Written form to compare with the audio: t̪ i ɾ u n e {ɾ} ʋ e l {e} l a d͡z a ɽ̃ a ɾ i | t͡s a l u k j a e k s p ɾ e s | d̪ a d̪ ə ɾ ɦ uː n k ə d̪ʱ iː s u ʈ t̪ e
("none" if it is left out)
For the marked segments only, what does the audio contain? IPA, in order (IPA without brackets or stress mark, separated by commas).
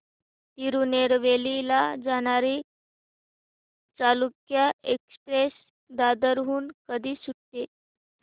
ɾ, i